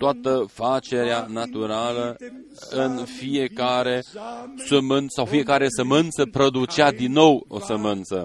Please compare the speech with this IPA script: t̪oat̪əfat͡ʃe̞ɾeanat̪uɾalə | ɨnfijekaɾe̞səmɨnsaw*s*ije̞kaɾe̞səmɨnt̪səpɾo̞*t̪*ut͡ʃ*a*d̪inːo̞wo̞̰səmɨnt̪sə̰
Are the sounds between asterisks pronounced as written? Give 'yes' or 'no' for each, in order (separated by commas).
no, no, yes